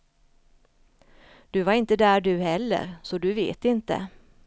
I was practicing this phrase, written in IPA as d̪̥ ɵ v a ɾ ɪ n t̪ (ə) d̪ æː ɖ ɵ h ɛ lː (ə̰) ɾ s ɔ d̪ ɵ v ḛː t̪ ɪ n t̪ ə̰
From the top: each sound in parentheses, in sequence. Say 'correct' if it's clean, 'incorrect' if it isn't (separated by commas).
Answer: correct, correct